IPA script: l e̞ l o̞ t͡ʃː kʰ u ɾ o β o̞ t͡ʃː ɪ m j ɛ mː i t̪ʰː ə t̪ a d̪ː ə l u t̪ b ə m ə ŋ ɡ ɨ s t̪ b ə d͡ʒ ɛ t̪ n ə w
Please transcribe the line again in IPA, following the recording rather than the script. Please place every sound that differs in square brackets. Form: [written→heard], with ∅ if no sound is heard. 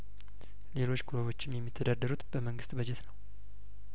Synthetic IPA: l e̞ l o̞ t͡ʃː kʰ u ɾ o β o̞ t͡ʃː ɪ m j ɛ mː i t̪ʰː ə [t̪→d̪] a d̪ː ə [l→ɾ] u t̪ b ə m ə ŋ ɡ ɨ s t̪ b ə d͡ʒ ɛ t̪ n ə w